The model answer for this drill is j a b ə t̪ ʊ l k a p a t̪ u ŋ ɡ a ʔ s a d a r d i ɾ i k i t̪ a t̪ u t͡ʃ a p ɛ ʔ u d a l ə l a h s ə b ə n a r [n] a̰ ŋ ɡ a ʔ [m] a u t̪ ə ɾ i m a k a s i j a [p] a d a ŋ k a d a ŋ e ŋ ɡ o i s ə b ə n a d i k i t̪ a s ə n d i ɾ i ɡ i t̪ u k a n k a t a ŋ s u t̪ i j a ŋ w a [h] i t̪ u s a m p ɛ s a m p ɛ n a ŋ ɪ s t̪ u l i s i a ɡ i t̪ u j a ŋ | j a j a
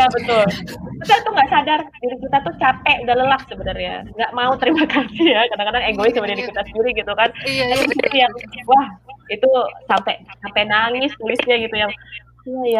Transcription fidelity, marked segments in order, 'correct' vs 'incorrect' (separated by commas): incorrect, correct, incorrect, correct